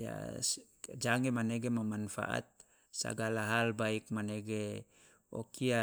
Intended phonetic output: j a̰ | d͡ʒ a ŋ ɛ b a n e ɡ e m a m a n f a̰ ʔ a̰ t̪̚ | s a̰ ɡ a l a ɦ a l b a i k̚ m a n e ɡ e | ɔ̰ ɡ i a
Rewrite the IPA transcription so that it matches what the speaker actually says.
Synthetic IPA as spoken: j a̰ | d͡ʒ a ŋ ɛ m a n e ɡ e m a m a n f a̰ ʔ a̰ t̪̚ | s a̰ ɡ a l a ɦ a l b a i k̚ m a n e ɡ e | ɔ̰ k i a